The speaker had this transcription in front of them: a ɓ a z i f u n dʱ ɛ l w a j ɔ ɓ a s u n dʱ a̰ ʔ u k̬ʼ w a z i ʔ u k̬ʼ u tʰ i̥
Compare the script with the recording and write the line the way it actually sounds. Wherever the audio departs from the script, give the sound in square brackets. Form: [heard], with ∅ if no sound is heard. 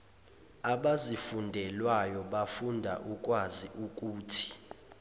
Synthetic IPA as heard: a ɓ a z i f u n dʱ ɛ l w a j ɔ ɓ a [f] u n dʱ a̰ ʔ u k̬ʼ w a z i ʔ u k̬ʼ [uː] tʰ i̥